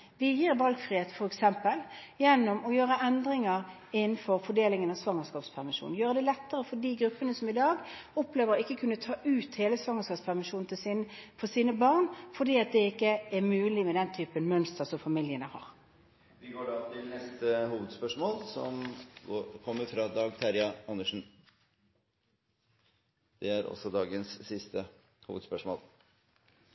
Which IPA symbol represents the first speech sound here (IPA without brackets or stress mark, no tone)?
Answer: ʋ